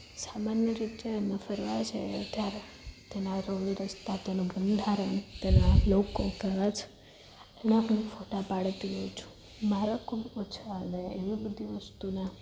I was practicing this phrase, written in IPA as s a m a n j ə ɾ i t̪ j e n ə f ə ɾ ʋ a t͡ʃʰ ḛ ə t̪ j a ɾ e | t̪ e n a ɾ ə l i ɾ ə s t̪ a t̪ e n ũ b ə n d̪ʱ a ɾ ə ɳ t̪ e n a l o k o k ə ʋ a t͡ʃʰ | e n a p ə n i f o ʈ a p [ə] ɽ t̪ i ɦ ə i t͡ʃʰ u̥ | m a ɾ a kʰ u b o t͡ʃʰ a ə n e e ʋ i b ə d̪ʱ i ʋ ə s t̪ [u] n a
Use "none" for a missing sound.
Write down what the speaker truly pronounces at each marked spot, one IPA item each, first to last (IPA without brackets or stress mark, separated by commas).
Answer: a, u